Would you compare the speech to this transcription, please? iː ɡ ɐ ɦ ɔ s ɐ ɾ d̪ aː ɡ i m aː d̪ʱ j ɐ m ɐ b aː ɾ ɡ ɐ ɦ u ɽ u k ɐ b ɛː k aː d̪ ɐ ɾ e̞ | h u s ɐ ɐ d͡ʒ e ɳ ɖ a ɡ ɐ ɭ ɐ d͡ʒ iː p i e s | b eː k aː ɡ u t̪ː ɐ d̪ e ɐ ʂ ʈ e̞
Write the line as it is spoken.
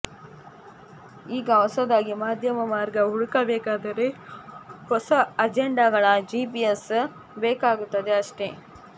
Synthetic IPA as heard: iː ɡ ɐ ɦ ɔ s ɐ d̪ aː ɡ i m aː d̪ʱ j ɐ m ɐ m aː ɾ ɡ ɐ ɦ u ɽ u k ɐ b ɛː k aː d̪ ɐ ɾ e̞ | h ɔ s ɐ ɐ d͡ʒ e ɳ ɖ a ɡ ɐ ɭ ɐ d͡ʒ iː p i e s | b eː k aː ɡ u t̪ː ɐ d̪ e ɐ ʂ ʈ e̞